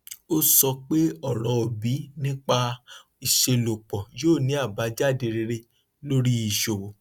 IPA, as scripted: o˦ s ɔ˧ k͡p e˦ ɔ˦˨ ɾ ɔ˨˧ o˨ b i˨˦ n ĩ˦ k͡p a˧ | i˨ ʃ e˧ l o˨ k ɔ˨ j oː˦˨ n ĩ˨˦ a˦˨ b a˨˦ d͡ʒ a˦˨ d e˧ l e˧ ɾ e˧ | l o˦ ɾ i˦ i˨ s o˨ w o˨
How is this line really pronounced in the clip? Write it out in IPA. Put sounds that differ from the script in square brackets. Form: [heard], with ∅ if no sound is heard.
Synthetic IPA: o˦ s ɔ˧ k͡p e˦ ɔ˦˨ ɾ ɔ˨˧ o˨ b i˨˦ n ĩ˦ k͡p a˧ | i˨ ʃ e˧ l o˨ [k͡p] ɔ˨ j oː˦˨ n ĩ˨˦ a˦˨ b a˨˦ d͡ʒ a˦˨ d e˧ [ɾ] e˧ ɾ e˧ | l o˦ ɾ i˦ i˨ [ʃ] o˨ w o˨